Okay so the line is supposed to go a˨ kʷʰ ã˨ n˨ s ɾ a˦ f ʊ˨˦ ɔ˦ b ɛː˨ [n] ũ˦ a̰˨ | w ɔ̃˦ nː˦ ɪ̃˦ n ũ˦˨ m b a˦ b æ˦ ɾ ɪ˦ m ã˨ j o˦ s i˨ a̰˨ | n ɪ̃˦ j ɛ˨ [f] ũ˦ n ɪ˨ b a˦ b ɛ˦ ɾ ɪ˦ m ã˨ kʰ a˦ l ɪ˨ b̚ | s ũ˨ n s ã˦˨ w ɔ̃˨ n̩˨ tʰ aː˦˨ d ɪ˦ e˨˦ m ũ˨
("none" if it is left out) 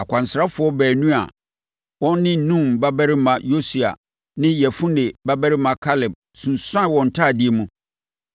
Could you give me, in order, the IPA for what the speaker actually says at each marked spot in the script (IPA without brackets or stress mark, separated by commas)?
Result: n, f